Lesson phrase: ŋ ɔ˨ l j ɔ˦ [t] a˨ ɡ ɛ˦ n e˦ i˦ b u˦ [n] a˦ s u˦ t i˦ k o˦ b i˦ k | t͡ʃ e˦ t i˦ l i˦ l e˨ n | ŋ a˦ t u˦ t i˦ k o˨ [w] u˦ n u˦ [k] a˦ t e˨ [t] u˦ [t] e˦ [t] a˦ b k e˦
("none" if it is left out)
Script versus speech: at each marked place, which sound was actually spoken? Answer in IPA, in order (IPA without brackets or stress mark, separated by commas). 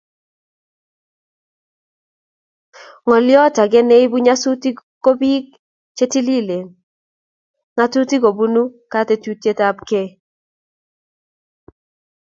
t, ɲ, b, k, t, t, t